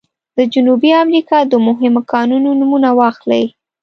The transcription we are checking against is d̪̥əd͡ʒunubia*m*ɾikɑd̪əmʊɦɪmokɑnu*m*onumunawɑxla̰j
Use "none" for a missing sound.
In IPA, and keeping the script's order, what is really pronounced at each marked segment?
m, n

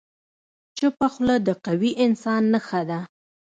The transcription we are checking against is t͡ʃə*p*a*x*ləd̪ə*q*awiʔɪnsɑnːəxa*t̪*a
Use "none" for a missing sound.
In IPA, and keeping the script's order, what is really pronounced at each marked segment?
p, x, q, d̪

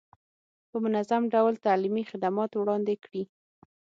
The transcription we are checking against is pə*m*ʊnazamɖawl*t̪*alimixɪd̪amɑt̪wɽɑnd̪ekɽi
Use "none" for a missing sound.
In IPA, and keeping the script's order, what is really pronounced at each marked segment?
m, t̪

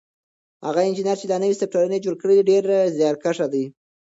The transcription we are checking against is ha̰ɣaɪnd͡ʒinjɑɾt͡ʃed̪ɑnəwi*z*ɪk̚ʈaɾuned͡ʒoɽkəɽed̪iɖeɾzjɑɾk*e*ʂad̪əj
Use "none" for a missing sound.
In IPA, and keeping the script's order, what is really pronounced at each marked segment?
s, a

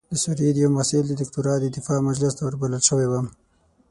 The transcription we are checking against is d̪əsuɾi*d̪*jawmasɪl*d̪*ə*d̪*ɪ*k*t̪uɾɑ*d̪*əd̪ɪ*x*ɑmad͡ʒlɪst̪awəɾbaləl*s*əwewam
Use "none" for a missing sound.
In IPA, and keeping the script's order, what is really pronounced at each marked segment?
d̪, d̪, d̪, k, d̪, f, ʃ

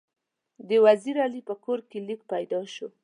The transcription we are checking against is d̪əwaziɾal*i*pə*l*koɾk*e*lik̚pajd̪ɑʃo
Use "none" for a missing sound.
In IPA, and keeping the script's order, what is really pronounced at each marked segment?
i, none, e

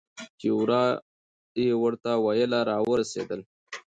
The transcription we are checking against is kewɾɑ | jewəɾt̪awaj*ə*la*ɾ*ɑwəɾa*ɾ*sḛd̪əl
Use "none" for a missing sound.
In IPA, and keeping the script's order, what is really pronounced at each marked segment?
ə, ɾ, none

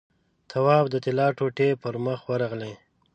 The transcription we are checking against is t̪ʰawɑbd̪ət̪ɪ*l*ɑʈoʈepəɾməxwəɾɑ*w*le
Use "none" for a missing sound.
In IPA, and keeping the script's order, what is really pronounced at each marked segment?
l, ɣ

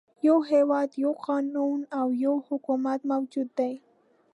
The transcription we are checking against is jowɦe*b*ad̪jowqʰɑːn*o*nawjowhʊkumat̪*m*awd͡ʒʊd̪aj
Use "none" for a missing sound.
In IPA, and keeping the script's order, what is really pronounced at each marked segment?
w, u, m

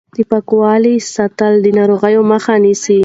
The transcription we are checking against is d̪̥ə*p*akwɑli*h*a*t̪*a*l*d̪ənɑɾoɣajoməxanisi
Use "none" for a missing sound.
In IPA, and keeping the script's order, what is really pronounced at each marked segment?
p, s, t̪, l

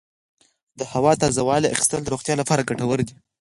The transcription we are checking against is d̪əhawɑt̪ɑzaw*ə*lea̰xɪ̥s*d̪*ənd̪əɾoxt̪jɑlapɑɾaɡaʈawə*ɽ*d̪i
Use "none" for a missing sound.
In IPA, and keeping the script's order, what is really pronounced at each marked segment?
ɑ, t̪, ɾ

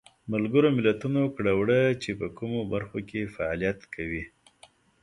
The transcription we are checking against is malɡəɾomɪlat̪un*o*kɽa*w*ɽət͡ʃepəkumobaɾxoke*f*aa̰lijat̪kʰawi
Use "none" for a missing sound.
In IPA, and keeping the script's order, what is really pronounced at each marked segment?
o, w, f

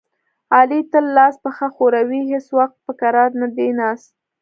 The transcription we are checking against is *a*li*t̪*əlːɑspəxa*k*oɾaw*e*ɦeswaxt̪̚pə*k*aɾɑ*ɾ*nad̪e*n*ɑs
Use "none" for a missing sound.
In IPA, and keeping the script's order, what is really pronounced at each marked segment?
ɑ, t̪, x, i, k, ɾ, n

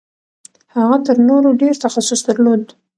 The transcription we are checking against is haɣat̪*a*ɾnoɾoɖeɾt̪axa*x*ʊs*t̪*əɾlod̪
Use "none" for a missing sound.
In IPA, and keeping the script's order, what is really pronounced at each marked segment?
ə, s, d̪

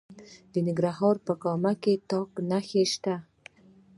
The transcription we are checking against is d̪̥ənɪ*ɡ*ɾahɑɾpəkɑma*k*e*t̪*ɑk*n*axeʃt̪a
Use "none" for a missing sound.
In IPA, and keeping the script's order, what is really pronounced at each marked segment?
ɡ, k, t̪, n

